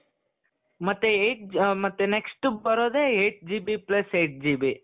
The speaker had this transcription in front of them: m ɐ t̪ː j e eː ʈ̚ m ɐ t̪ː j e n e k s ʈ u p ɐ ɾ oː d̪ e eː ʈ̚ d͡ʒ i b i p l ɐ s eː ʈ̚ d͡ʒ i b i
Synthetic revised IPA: m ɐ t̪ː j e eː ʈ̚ m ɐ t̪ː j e n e k s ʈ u b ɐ ɾ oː d̪ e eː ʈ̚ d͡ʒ i b i p l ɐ s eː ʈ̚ d͡ʒ i b i

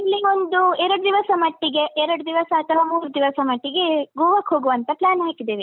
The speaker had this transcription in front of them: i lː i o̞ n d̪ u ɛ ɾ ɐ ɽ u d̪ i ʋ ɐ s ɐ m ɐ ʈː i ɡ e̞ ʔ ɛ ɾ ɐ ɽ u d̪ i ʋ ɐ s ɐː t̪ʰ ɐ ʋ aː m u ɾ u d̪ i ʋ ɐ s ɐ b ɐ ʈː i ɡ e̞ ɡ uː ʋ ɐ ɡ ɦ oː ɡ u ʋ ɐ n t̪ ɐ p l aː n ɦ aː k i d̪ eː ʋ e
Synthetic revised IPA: i lː i o̞ n d̪ u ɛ ɾ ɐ ɽ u d̪ i ʋ ɐ s ɐ m ɐ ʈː i ɡ e̞ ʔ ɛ ɾ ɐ ɽ u d̪ i ʋ ɐ s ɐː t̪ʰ ɐ ʋ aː m uː ɾ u d̪ i ʋ ɐ s ɐ m ɐ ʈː i ɡ e̞ ɡ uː ʋ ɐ k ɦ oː ɡ u ʋ ɐ n t̪ ɐ p l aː n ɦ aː k i d̪ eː ʋ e

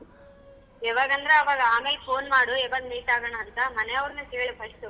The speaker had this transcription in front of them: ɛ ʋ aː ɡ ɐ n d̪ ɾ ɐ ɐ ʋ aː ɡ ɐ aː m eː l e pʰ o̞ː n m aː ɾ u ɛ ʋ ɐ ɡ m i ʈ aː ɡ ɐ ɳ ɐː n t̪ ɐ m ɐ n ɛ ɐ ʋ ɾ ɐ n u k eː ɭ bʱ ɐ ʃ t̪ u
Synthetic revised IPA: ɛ ʋ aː ɡ ɐ n d̪ ɾ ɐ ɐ ʋ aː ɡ ɐ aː m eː l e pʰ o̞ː n m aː ɽ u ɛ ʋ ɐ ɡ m iː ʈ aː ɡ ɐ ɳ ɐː n t̪ ɐ m ɐ n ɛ ɐ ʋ ɾ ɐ n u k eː ɭ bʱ ɐ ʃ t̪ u

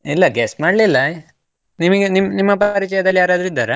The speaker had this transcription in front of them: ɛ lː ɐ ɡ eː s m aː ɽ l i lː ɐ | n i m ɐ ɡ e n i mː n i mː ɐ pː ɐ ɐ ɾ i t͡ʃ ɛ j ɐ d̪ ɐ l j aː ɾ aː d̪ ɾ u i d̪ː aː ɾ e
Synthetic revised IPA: i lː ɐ ɡ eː s m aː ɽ l i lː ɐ | n i m ɐ ɡ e n i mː n i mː ɐ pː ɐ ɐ ɾ i t͡ʃ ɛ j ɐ d̪ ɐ l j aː ɾ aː d̪ ɾ u i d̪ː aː ɾ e

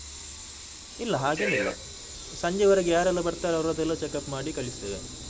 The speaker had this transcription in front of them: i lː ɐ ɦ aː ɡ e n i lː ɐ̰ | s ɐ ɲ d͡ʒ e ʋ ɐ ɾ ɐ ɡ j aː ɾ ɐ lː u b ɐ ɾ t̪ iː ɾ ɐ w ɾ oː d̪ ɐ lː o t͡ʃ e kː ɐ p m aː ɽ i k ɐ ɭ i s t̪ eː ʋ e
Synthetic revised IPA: i lː ɐ ɦ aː ɡ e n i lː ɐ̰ | s ɐ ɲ d͡ʒ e ʋ ɐ ɾ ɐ ɡ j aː ɾ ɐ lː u b ɐ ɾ t̪ aː ɾ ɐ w ɾ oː d̪ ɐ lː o t͡ʃ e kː ɐ p m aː ɽ i k ɐ ɭ i s t̪ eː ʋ e

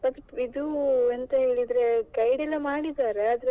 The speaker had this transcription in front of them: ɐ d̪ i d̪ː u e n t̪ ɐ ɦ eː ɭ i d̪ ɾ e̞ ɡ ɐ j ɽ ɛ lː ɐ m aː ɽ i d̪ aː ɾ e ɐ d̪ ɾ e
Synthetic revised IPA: ɐ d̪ i d̪ u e n t̪ ɐ ɦ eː ɭ i d̪ ɾ e̞ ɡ ɐ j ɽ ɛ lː ɐ m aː ɽ i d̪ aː ɾ e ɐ d̪ ɾ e

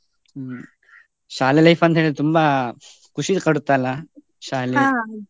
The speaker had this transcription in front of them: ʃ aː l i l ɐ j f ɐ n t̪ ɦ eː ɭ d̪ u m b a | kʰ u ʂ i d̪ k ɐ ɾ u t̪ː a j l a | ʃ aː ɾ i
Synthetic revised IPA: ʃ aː l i l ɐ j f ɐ n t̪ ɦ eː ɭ t̪ u m b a | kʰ u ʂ i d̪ k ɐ ɽ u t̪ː a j l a | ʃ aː l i

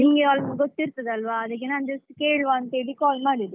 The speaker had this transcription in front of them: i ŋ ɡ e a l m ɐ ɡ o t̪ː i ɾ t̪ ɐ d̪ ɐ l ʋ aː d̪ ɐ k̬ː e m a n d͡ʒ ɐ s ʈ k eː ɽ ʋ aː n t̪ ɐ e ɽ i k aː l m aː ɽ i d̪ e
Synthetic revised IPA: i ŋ ɡ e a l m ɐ ɡ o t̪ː i ɾ t̪ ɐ d̪ ɐ l ʋ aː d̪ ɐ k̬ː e n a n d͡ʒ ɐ s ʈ k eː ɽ ʋ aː n t̪ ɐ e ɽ i k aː l m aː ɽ i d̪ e

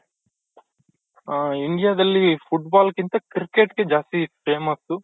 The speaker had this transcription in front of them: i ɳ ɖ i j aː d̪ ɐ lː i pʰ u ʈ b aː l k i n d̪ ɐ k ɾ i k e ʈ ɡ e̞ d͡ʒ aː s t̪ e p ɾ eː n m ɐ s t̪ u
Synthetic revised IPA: i ɳ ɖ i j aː d̪ ɐ lː i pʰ u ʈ b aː l k i n t̪ ɐ k ɾ i k e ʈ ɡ e̞ d͡ʒ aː s t̪ i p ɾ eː m ɐ s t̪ u

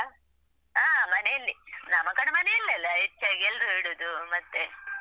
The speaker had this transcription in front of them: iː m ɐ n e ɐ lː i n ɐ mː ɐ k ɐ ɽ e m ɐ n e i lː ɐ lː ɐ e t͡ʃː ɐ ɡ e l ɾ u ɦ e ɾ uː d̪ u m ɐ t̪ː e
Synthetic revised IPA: aː m ɐ n e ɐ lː i n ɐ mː ɐ k ɐ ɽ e m ɐ n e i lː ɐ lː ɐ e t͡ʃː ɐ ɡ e l ɾ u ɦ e ɽ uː d̪ u m ɐ t̪ː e

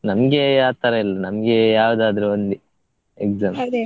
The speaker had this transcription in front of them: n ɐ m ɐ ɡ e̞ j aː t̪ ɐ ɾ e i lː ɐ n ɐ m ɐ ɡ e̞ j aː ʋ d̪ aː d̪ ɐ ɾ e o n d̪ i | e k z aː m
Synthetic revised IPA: n ɐ m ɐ ɡ e̞ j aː t̪ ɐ ɾ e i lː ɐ n ɐ m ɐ ɡ e̞ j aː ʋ d̪ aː d̪ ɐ ɾ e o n d̪ i | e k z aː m

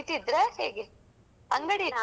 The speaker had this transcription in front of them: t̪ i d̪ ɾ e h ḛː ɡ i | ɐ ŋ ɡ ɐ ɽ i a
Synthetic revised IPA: t̪ i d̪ ɾ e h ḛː ɡ e | ɐ ŋ ɡ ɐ ɽ i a

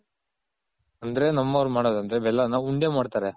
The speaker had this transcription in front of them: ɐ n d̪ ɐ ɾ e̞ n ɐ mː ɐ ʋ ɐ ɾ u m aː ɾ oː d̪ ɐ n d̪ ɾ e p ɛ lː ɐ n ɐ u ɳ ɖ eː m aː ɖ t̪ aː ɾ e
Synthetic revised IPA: ɐ n d̪ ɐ ɾ e̞ n ɐ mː ɐ ʋ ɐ ɾ u m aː ɽ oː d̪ ɐ n d̪ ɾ e b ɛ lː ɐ n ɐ u ɳ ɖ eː m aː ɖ t̪ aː ɾ e

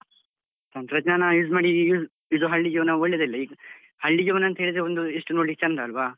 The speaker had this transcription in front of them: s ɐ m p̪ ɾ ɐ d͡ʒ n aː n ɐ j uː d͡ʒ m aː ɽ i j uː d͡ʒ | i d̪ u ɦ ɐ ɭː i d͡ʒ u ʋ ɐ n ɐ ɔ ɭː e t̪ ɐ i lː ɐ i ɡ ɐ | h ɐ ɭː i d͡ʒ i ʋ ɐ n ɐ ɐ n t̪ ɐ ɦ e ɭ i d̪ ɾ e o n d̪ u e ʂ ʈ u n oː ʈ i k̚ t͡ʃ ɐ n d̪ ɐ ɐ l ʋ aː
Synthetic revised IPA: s ɐ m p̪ ɾ ɐ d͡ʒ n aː n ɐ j uː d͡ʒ m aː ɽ i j uː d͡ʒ | i d̪ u ɦ ɐ ɭː i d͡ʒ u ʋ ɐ n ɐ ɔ ɭː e d̪ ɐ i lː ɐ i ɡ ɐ | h ɐ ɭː i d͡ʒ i ʋ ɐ n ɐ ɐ n t̪ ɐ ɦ e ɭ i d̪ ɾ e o n d̪ u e ʂ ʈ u n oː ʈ i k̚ t͡ʃ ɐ n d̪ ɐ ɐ l ʋ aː

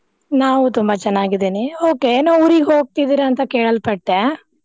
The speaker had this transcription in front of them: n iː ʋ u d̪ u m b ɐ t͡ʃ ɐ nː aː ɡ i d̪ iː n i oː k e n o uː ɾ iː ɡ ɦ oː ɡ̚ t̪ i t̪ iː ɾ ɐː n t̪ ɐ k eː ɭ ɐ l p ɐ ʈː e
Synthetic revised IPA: n aː ʋ u t̪ u m b ɐ t͡ʃ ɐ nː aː ɡ i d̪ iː n i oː k e n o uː ɾ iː ɡ ɦ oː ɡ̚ t̪ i d̪ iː ɾ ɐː n t̪ ɐ k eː ɭ ɐ l p ɐ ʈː e

